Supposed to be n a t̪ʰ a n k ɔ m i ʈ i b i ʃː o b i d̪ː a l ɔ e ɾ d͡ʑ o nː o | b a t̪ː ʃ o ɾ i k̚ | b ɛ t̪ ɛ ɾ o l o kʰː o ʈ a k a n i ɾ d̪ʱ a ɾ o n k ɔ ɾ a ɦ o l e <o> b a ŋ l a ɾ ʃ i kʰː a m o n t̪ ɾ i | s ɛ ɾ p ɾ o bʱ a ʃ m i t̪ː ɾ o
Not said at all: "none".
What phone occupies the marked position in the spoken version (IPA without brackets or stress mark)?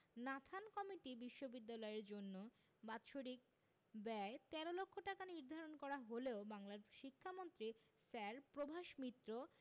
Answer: o